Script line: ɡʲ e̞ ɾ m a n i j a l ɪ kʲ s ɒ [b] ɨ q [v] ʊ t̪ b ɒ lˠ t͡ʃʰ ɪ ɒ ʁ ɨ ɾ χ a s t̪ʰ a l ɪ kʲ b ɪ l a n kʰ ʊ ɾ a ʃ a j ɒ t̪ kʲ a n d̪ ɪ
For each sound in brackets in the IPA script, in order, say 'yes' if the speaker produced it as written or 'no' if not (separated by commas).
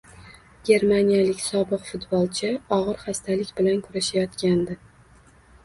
yes, no